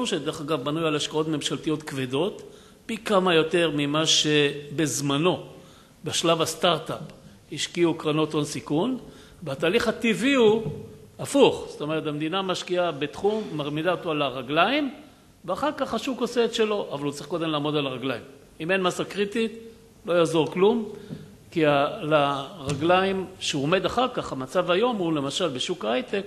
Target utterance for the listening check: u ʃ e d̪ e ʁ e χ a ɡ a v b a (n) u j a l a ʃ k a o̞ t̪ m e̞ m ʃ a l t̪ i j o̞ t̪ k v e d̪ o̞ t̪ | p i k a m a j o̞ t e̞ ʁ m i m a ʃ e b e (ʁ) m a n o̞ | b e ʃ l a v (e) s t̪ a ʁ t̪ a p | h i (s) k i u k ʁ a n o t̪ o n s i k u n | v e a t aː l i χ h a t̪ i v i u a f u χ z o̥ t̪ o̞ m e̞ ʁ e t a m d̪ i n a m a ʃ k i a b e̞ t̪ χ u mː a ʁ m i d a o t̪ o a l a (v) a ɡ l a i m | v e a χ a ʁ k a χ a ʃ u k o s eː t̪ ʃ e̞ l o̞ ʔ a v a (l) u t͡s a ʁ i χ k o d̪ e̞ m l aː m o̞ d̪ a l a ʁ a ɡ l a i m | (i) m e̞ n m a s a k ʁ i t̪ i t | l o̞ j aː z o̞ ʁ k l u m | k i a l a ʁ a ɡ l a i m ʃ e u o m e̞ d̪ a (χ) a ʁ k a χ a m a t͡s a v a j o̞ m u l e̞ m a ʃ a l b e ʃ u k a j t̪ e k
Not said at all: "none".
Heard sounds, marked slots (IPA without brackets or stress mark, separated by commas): n, z, a, ʃ, ʁ, l, i, χ